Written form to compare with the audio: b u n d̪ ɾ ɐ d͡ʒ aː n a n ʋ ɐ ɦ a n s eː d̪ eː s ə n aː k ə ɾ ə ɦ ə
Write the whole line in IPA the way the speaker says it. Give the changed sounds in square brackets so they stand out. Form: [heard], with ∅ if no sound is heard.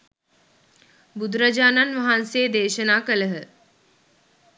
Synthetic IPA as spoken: b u [∅] d̪ ɾ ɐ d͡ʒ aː n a n ʋ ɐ ɦ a n s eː d̪ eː [ʃ] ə n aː k ə [l] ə ɦ ə